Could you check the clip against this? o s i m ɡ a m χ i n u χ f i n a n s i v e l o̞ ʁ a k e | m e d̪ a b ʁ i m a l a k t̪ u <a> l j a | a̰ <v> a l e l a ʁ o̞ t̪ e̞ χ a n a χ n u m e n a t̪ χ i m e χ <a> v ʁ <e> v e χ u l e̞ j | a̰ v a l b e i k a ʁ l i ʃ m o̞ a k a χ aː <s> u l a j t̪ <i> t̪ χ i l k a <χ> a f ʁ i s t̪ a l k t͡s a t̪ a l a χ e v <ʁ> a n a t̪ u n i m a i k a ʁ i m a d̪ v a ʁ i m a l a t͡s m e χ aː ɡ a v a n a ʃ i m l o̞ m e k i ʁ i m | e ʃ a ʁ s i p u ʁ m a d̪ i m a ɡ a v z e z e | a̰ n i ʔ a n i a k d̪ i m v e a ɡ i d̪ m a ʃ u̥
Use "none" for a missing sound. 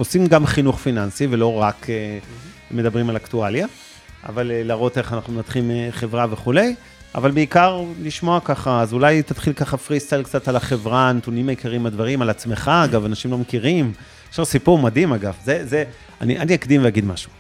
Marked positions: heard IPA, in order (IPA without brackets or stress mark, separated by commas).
a, v, e, a, z, a, χ, ʁ